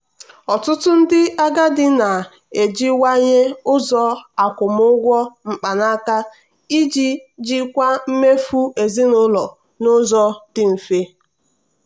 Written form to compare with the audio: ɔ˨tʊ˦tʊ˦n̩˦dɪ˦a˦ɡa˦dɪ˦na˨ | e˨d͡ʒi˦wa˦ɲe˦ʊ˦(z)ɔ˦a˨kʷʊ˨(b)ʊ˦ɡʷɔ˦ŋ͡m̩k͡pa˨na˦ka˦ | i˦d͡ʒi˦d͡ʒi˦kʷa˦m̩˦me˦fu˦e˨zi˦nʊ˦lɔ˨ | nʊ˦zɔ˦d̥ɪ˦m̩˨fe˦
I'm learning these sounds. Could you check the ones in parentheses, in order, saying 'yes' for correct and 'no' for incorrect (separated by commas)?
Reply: yes, no